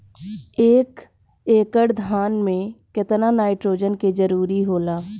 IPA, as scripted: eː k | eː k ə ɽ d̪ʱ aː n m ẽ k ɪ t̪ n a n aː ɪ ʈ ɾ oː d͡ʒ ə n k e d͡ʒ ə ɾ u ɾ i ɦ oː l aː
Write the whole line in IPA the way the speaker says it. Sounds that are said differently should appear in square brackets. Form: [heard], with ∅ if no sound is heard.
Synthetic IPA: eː k | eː k ə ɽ d̪ʱ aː n m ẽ k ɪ t̪ n a n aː ɪ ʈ ɾ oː d͡ʒ ə n k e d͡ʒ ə ɾ [uː] ɾ i ɦ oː l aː